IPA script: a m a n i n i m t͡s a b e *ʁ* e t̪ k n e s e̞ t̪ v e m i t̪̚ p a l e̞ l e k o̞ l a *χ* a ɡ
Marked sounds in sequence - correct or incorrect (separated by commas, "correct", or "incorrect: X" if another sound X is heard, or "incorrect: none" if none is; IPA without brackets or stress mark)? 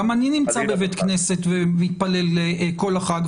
incorrect: v, correct